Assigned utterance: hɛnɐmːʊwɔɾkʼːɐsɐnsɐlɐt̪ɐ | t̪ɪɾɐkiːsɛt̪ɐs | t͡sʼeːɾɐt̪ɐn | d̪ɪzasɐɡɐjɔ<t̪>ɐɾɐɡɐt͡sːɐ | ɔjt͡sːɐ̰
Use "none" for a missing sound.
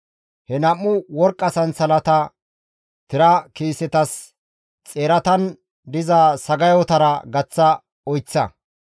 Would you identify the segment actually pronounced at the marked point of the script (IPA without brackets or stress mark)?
t̪